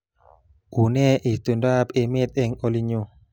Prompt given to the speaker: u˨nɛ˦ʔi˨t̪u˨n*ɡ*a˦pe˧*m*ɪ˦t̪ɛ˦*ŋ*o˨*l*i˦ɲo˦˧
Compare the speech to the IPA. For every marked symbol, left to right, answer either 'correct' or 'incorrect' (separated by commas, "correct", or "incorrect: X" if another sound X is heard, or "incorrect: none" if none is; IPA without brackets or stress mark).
incorrect: d, correct, correct, correct